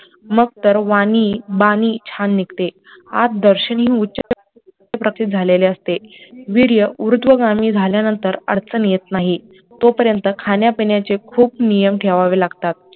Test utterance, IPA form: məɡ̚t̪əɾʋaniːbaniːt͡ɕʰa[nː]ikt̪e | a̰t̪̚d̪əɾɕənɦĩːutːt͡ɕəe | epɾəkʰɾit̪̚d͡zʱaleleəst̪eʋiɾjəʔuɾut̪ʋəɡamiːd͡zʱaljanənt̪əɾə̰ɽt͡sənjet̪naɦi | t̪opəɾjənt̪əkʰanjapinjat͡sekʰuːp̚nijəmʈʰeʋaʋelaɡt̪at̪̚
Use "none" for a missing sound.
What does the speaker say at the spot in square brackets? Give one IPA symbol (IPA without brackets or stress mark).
nː